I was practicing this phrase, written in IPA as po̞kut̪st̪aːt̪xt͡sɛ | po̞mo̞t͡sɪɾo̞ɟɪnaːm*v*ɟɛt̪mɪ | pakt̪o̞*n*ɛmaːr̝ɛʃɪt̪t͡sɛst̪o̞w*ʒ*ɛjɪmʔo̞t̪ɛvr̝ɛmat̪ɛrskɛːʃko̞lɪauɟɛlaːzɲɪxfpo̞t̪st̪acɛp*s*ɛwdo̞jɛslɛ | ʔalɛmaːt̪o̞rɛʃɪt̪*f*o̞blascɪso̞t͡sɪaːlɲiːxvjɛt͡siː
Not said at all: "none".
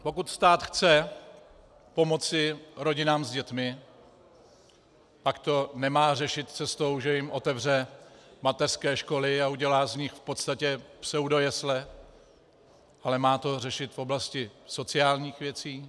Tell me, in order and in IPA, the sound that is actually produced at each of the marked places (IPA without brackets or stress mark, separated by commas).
z, n, ʒ, s, f